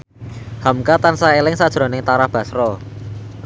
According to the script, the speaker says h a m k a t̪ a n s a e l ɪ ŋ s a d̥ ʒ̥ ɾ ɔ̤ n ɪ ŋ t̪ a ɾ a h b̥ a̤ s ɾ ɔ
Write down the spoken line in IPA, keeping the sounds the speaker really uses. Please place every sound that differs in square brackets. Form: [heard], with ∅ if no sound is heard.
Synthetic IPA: h a m k a t̪ a n s a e l ɪ ŋ s a d̥ ʒ̥ ɾ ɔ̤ n ɪ ŋ t̪ a ɾ a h b̥ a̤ s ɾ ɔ